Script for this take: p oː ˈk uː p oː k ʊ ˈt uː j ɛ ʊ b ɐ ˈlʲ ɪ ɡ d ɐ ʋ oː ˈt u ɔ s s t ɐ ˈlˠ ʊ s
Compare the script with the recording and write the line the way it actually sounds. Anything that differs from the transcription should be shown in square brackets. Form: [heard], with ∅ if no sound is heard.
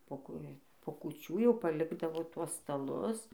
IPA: p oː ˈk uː p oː k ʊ [ˈt͡ʃʲ] uː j ɛ ʊ [p] ɐ ˈlʲ ɪ ɡ d ɐ ʋ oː ˈt u ɔ s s t ɐ ˈlˠ ʊ s